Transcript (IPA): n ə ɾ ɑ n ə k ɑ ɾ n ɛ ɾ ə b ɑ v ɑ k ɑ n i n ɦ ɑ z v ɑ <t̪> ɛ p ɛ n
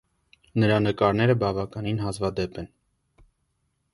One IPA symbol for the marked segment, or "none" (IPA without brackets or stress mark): d̪